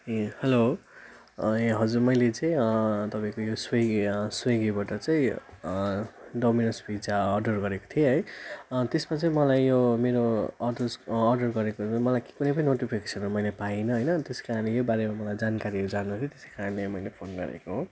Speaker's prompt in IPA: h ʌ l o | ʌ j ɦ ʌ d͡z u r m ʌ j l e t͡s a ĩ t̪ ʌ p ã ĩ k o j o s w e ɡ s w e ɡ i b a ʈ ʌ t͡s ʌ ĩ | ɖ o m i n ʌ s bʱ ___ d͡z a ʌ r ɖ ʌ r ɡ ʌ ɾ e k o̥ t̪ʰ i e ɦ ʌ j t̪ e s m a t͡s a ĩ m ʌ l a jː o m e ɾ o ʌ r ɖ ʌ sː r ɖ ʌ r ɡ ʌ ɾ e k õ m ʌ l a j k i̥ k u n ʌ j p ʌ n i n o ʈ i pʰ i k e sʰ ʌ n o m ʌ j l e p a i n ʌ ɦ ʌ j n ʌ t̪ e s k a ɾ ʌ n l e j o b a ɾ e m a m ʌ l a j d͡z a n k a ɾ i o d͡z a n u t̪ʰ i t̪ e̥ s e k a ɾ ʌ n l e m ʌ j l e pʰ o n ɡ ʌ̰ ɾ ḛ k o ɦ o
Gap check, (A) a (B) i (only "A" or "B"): B